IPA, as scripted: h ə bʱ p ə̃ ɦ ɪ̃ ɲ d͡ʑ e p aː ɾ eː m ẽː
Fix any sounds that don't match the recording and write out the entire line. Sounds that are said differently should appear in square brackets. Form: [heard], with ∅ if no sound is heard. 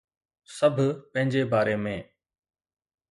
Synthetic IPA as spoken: [s] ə bʱ p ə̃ ɦ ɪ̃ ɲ d͡ʑ e [b] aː ɾ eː m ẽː